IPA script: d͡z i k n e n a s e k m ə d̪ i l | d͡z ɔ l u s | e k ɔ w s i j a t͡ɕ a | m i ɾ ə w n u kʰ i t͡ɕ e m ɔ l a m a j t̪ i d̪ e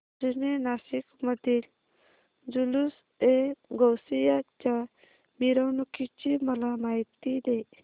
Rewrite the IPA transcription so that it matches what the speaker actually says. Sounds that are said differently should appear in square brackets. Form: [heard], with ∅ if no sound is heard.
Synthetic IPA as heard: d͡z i [∅] n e n a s [i] k m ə d̪ i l | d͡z [u] l u s | e [ɡ] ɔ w s i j a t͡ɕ a | m i ɾ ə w n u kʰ i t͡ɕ [i] m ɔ l a m a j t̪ i d̪ e